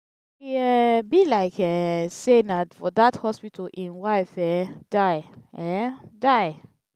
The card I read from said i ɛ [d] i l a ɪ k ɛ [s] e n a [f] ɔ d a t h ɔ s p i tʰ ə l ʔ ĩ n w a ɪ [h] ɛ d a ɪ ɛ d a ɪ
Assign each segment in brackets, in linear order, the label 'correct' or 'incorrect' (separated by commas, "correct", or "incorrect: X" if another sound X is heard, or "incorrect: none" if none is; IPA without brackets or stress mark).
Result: incorrect: b, correct, correct, incorrect: f